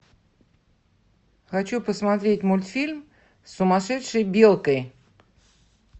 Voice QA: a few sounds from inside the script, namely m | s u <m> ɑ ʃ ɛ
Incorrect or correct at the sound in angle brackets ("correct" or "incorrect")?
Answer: correct